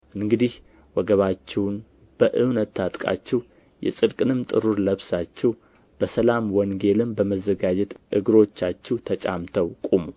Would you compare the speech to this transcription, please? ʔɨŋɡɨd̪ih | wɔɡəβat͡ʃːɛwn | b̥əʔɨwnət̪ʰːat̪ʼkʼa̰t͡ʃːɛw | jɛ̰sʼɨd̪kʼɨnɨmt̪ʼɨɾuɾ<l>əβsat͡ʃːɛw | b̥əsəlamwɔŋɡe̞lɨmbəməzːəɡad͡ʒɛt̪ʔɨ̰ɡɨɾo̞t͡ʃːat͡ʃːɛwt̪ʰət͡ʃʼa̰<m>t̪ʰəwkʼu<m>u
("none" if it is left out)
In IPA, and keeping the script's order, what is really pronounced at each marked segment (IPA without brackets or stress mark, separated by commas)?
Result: l, m, m